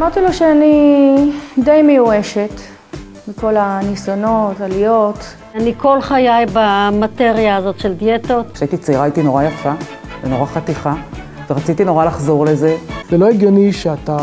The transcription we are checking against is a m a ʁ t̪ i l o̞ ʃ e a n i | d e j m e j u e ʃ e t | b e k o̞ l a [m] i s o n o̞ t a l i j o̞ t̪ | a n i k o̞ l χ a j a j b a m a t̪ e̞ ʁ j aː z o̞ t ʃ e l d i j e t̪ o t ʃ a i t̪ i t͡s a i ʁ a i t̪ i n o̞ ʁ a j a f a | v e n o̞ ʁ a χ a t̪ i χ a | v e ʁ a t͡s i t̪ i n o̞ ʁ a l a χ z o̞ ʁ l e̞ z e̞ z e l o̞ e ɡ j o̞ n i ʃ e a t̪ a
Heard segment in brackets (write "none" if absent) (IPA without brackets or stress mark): n